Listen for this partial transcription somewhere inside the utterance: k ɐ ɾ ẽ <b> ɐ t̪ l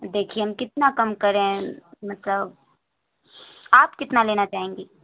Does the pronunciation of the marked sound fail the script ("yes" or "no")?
yes